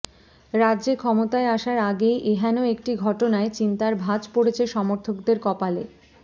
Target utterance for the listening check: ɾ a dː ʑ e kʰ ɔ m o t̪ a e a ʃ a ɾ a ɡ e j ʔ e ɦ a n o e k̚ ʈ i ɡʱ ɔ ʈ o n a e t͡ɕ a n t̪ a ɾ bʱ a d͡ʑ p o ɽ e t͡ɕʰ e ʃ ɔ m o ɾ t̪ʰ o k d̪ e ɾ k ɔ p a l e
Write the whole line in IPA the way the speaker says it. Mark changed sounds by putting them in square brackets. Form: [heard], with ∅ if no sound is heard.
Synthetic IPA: ɾ a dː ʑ e kʰ ɔ m o t̪ a e a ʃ a ɾ a ɡ e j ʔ e ɦ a n o e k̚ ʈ i ɡʱ ɔ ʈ o n a e t͡ɕ [i] n t̪ a ɾ bʱ a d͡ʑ p o ɽ e t͡ɕʰ e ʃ ɔ m o ɾ t̪ʰ o k d̪ e ɾ k ɔ p a l e